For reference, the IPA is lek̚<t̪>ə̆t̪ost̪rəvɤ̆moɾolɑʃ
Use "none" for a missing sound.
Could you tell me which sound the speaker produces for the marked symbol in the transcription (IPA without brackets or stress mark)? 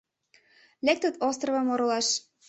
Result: t̪